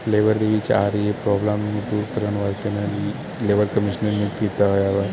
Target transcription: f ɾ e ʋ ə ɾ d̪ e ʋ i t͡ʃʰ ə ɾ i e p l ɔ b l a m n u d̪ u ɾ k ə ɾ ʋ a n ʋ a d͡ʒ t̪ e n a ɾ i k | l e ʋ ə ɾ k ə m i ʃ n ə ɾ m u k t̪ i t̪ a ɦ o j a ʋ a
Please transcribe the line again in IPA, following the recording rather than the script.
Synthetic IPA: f l e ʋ ə ɾ d̪ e ʋ i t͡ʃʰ a ɾ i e p ɾ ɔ b l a m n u d̪ u ɾ k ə ɾ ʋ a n ʋ a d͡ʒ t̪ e n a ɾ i | l e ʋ ə ɾ k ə m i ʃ n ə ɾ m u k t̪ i t̪ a ɦ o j a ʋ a

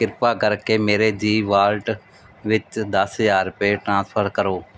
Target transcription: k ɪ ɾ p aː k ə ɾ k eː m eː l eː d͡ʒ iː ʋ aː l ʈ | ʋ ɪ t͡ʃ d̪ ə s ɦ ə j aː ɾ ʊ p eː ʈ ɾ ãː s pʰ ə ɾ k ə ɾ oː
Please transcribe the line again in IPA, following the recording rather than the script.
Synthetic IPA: k ɪ ɾ p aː k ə ɾ k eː m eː ɾ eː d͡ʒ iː ʋ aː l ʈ | ʋ ɪ t͡ʃ d̪ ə s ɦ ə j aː ɾ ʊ p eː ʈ ɾ ãː s pʰ ə ɾ k ə ɾ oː

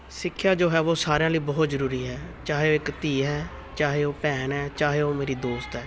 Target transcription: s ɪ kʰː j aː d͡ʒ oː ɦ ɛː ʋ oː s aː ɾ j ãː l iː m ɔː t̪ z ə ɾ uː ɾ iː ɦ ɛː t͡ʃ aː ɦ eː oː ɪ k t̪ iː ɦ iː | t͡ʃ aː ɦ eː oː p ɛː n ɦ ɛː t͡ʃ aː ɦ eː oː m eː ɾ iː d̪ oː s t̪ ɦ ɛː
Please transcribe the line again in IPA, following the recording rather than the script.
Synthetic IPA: s ɪ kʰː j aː d͡ʒ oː ɦ ɛː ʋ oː s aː ɾ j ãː l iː b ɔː t̪ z ə ɾ uː ɾ iː ɦ ɛː t͡ʃ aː ɦ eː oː ɪ k t̪ iː ɦ ɛː | t͡ʃ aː ɦ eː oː p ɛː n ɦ ɛː t͡ʃ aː ɦ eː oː m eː ɾ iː d̪ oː s t̪ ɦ ɛː

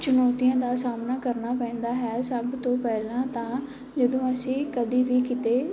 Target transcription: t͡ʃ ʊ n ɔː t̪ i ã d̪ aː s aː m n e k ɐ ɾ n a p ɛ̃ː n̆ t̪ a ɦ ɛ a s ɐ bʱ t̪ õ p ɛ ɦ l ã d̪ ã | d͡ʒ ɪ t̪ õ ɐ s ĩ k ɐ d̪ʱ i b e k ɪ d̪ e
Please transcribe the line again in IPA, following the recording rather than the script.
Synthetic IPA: t͡ʃ ʊ n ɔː t̪ i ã d̪ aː s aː m n a k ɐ ɾ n a p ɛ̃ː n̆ d̪ a ɦ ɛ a s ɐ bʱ t̪ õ p ɛ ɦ l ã t̪ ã | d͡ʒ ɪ d̪ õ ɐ s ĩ k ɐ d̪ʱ i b i k ɪ t̪ e

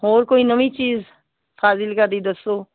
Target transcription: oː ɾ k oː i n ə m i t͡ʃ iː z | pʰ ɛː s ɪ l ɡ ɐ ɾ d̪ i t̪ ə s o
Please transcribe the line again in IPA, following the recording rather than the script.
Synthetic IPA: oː ɾ k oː i n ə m i t͡ʃ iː z | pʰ aː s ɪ l k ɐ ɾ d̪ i d̪ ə s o

